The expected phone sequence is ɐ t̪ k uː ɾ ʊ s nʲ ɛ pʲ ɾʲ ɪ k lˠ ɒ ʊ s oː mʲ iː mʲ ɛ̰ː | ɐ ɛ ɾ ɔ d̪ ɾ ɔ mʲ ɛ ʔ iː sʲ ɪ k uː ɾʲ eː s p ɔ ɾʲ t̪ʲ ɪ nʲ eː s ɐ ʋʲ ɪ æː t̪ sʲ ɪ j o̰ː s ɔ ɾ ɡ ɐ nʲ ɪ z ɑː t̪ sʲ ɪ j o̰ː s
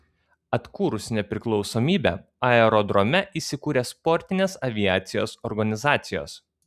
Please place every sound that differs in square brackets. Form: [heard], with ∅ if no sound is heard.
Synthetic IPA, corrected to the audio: ɐ t̪ k uː ɾ ʊ s nʲ ɛ pʲ ɾʲ ɪ k lˠ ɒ ʊ s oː mʲ iː [bʲ] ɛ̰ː | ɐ ɛ ɾ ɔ d̪ ɾ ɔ mʲ ɛ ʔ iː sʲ ɪ k uː ɾʲ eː s p ɔ ɾʲ t̪ʲ ɪ nʲ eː s ɐ ʋʲ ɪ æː t̪ sʲ ɪ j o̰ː s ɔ ɾ ɡ ɐ nʲ ɪ z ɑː t̪ sʲ ɪ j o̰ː s